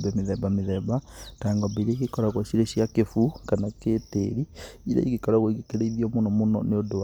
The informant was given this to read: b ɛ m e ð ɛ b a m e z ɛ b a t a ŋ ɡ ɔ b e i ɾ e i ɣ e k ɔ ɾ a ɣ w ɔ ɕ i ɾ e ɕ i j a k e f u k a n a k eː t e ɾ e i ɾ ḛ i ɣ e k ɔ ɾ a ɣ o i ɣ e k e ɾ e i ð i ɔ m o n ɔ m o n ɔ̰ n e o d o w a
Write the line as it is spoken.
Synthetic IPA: b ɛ m e ð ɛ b a m e ð ɛ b a t a ŋ ɡ ɔ b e i ɾ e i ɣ e k ɔ ɾ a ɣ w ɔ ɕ i ɾ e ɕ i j a k e f u k a n a k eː t e ɾ i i ɾ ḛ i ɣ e k ɔ ɾ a ɣ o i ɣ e k e ɾ e i ð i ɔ m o n ɔ m o n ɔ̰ n e o d o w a